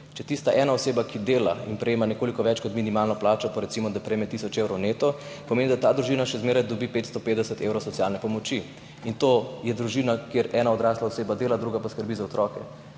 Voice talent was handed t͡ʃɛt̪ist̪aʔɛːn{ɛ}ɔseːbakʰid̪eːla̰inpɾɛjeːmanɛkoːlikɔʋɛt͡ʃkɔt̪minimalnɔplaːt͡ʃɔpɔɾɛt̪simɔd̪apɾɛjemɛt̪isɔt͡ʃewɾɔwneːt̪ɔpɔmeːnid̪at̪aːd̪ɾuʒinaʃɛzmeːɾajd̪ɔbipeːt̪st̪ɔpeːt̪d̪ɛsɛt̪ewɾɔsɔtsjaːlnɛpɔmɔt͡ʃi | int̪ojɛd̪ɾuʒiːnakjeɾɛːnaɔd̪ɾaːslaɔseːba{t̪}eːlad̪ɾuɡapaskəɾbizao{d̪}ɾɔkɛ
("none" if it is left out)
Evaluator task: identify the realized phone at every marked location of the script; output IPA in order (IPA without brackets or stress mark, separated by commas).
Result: a, d̪, t̪